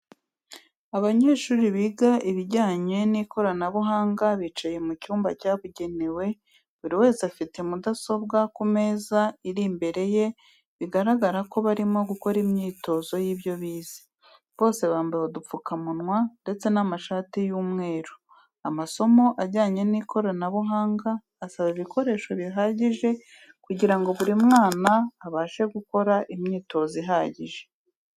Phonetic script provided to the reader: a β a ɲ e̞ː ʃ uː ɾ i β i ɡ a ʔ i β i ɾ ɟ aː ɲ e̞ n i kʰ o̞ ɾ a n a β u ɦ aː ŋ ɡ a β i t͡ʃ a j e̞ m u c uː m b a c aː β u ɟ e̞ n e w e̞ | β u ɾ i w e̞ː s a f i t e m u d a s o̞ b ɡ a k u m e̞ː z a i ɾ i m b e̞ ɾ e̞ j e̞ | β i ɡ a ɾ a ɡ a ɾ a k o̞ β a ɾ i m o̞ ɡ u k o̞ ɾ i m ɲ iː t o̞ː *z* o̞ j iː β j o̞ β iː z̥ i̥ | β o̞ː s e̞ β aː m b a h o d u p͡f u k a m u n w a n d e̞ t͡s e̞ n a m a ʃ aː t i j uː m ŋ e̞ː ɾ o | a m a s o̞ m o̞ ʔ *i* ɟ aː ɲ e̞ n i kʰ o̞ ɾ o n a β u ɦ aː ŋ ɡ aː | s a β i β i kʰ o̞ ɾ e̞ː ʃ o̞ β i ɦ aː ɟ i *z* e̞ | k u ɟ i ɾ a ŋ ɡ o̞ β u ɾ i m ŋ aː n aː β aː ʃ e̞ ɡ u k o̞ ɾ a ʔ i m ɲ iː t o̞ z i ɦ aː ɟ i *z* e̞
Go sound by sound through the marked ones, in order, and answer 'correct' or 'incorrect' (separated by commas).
correct, incorrect, incorrect, incorrect